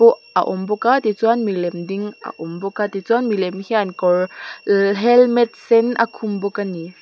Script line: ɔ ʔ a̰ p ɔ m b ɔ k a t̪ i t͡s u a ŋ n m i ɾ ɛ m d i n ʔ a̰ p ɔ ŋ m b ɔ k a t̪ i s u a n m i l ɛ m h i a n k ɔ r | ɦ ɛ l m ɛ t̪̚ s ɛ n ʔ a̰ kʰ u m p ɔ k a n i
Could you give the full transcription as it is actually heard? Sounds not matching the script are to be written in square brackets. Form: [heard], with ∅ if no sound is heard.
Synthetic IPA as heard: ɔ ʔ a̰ [ʔ] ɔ m b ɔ k a t̪ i t͡s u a [∅] n m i [l] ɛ m d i [ŋ] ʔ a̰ [ʔ] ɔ [∅] m b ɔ k a t̪ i [t͡s] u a n m i l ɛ m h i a n k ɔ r | ɦ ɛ l m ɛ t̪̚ s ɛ n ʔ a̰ kʰ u m [b] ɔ k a n i